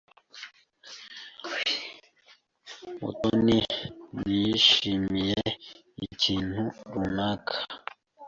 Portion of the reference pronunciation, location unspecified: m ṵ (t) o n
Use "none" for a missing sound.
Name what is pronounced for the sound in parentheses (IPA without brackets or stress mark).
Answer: t